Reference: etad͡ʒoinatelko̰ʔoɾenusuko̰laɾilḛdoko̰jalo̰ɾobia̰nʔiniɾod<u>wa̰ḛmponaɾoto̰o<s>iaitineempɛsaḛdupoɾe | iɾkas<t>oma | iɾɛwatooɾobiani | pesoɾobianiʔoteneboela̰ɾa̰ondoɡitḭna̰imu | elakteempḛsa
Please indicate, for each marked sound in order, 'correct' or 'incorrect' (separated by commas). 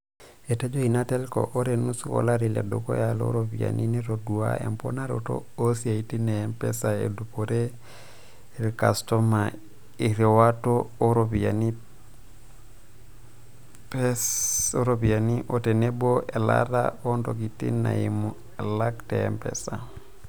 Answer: correct, correct, correct